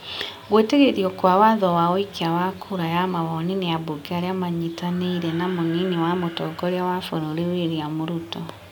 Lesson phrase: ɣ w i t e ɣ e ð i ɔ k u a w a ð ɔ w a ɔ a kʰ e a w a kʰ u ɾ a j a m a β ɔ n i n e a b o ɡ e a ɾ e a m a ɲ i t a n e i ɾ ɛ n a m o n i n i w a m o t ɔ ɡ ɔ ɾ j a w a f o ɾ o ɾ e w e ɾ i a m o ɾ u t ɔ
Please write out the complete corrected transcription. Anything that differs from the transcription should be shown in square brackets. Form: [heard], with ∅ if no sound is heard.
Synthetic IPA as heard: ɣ w [e] t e ɣ e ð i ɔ k [w] a w a ð ɔ w a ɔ [i] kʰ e a w a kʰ u ɾ a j a m a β ɔ n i n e a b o ɡ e a ɾ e a m a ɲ i t a n e i ɾ ɛ n a m o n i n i w a m o t ɔ ɡ ɔ ɾ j a w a f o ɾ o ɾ e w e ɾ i a m o ɾ u t ɔ